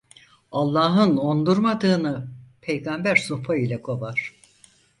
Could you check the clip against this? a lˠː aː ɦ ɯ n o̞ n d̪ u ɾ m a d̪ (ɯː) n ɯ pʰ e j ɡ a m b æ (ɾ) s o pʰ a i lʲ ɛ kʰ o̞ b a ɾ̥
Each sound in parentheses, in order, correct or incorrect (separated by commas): correct, correct